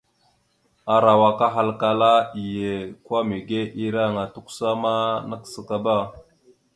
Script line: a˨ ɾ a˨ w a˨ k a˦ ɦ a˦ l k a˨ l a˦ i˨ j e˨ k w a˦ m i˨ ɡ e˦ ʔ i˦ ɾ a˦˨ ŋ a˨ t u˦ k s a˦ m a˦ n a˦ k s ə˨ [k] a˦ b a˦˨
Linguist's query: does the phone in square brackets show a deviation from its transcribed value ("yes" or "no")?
no